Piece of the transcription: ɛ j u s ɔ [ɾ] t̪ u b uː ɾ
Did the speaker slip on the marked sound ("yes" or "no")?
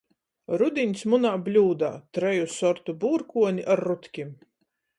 no